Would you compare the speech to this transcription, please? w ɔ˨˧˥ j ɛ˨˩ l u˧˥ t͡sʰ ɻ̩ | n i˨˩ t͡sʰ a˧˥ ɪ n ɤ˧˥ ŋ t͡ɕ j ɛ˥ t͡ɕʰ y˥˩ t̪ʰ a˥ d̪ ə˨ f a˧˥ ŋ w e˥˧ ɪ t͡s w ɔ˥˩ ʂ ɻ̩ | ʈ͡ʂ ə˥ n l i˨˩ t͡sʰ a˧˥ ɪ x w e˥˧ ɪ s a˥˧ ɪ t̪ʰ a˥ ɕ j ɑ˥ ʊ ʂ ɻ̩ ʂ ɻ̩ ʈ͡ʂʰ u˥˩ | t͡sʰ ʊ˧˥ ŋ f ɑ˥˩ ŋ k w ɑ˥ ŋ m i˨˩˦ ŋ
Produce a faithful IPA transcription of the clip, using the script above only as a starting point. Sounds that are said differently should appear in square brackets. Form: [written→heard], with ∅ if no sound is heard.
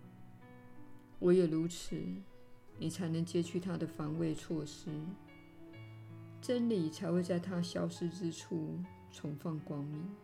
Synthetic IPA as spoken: w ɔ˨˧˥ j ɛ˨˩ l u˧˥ t͡sʰ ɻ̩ | n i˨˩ t͡sʰ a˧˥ ɪ n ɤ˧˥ ŋ t͡ɕ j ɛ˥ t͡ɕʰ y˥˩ t̪ʰ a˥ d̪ ə˨ f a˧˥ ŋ w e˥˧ ɪ [t͡s→t͡sʰ] w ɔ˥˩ ʂ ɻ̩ | ʈ͡ʂ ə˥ n l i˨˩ t͡sʰ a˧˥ ɪ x w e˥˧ ɪ [s→t͡s] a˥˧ ɪ t̪ʰ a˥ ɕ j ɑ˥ ʊ ʂ ɻ̩ [ʂ→ʈ͡ʂ] ɻ̩ ʈ͡ʂʰ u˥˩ | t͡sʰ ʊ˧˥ ŋ f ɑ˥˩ ŋ k w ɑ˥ ŋ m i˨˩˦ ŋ